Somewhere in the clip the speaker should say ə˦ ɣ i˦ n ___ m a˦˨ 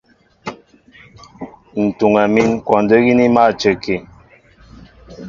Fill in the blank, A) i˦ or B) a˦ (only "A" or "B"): A